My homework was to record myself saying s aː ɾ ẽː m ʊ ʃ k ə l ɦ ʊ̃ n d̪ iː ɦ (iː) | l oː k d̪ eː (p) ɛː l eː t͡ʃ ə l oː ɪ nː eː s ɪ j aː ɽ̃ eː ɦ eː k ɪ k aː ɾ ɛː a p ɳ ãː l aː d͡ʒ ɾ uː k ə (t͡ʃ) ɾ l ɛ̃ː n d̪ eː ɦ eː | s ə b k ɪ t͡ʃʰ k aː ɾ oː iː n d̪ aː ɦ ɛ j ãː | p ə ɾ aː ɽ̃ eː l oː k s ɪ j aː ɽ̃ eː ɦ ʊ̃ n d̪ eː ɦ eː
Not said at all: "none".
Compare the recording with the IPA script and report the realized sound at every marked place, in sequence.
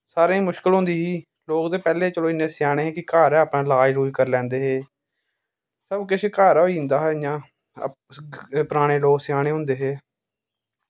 iː, p, none

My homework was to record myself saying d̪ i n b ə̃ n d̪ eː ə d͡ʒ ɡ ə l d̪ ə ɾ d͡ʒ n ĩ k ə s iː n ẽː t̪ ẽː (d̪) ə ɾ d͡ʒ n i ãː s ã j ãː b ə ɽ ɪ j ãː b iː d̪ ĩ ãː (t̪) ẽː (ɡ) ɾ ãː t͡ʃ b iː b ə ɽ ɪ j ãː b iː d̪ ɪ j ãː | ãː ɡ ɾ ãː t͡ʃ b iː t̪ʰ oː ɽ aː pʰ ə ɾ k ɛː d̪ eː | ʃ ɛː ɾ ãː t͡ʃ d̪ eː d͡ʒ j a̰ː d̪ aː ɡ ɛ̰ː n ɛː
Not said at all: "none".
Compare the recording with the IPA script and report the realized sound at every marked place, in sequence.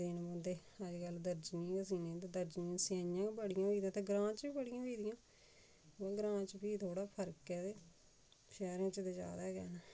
d̪, t̪, ɡ

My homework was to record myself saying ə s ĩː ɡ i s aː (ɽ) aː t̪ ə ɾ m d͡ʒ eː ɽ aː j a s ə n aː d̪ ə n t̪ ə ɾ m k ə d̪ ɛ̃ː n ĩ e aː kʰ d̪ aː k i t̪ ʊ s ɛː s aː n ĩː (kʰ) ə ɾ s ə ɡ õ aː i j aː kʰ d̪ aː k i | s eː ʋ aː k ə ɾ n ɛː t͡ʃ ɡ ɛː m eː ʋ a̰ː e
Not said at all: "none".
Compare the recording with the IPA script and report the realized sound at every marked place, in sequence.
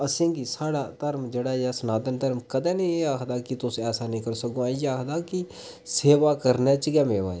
ɽ, k

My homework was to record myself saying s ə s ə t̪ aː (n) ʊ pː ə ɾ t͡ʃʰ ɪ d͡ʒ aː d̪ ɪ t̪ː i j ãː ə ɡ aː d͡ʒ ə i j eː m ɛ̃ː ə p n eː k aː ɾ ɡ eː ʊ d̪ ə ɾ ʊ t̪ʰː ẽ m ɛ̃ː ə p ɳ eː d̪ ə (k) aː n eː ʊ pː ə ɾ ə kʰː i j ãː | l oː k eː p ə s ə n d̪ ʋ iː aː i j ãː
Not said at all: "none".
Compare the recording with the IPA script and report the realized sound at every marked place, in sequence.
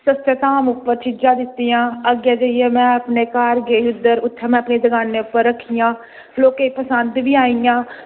m, ɡ

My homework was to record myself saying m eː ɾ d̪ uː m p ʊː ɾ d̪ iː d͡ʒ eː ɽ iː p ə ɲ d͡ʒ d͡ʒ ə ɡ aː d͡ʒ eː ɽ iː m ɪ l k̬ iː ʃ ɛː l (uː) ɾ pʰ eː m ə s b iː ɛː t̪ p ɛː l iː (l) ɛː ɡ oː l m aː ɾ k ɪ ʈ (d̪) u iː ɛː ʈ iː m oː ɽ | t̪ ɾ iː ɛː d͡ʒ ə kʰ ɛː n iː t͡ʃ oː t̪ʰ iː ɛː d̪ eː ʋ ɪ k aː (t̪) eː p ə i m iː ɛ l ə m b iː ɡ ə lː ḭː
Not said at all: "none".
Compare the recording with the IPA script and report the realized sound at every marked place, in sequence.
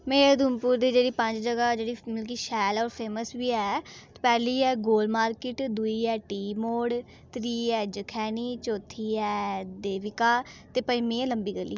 ɔː, none, d̪, t̪

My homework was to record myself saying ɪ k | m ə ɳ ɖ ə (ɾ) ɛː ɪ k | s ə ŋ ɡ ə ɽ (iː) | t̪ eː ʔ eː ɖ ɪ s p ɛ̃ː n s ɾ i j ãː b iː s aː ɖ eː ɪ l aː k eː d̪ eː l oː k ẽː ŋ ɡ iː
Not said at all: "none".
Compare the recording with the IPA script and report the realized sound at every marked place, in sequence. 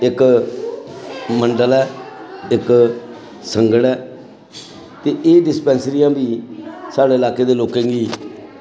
l, ɛː

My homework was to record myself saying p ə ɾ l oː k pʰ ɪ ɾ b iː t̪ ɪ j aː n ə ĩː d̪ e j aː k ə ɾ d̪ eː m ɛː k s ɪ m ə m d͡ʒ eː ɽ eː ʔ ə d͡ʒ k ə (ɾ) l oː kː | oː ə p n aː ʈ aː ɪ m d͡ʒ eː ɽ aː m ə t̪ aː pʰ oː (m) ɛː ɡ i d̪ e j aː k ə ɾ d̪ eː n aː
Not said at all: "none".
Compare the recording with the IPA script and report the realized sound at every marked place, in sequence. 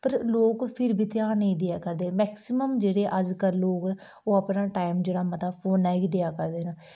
ɾ, n

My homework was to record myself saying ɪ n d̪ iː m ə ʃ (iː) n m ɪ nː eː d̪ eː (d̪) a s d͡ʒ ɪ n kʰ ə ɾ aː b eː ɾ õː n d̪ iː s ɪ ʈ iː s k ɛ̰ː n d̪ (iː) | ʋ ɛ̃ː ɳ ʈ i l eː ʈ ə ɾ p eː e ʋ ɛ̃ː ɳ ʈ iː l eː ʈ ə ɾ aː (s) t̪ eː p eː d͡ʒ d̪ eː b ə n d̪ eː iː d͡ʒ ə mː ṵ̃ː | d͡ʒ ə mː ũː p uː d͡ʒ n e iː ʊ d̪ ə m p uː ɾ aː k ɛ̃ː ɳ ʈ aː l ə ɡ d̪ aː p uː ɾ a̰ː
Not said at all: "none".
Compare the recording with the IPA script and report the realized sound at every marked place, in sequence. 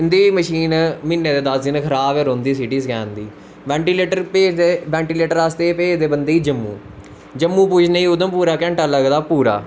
iː, d̪, iː, s

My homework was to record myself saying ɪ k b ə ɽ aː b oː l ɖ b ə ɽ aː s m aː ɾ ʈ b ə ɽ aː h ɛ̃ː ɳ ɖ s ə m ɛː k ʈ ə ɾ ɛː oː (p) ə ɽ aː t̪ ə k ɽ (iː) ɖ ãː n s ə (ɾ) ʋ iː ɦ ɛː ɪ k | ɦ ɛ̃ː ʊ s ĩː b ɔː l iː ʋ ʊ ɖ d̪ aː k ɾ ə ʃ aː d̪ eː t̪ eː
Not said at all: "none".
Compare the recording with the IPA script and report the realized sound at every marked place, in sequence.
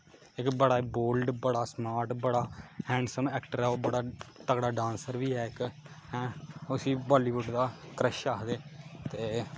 b, aː, ɾ

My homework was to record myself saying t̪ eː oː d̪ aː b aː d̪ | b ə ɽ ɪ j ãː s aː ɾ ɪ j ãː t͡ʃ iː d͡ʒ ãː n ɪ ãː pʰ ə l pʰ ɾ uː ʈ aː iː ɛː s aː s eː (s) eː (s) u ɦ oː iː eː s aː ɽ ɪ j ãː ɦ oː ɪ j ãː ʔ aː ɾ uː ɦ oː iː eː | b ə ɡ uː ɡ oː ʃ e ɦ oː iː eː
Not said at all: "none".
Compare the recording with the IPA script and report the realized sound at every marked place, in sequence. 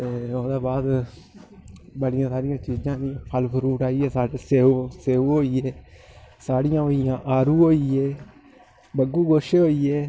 s, none

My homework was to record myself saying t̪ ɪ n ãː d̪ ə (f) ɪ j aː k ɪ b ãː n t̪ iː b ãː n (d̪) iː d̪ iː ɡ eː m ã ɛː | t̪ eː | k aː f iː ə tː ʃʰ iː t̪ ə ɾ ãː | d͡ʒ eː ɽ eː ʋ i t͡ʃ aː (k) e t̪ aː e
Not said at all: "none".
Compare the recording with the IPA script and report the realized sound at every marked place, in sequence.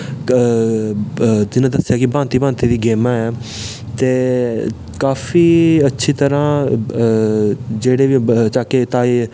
s, t̪, k

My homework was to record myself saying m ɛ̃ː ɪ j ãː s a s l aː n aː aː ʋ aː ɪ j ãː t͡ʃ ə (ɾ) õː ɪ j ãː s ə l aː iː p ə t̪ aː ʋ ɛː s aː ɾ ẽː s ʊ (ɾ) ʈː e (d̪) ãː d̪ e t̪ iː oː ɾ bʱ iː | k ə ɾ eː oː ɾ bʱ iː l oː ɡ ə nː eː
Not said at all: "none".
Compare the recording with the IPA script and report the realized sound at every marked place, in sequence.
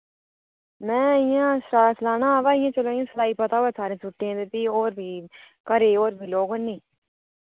l, none, none

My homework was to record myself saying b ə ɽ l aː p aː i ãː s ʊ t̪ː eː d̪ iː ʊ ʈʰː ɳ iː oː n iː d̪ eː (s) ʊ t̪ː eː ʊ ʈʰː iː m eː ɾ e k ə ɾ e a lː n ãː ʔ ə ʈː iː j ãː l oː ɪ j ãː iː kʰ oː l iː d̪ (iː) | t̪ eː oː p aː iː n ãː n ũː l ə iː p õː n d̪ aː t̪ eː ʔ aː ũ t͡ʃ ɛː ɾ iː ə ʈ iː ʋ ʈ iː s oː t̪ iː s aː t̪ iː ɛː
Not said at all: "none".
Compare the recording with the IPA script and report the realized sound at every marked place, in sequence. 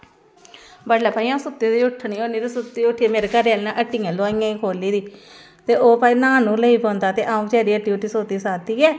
s, iː

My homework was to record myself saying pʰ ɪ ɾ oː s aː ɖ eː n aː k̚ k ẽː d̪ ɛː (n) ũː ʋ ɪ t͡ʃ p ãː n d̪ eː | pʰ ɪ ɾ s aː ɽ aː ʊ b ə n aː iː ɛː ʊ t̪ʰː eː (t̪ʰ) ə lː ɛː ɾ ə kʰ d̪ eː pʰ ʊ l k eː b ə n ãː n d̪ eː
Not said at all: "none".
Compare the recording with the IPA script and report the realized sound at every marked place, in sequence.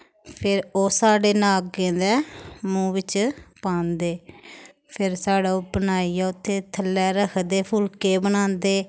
m, t̪ʰ

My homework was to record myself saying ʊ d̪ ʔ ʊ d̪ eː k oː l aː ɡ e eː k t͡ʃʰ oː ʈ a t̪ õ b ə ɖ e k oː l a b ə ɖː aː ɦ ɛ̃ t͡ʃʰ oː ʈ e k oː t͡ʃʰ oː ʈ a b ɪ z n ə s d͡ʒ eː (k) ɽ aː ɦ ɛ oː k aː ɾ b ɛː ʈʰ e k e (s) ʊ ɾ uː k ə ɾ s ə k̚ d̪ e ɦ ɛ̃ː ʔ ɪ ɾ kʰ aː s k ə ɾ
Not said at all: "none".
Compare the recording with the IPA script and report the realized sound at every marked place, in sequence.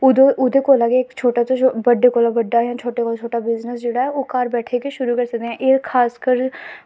none, ʃ

